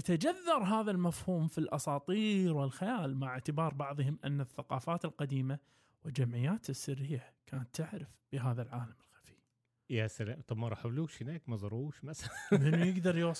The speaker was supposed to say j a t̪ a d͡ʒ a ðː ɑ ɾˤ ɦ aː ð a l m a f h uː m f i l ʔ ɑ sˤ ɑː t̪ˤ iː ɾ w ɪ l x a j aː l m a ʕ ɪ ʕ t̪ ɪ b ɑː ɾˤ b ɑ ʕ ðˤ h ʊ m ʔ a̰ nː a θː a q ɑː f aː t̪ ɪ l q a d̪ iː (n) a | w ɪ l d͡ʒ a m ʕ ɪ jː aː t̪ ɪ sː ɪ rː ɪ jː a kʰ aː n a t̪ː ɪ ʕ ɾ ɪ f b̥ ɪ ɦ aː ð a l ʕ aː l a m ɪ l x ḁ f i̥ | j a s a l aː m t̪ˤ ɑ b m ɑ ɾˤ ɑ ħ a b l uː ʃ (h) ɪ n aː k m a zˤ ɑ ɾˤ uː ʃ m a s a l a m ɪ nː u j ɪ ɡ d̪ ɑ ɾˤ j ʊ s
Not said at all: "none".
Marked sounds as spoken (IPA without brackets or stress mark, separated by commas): m, h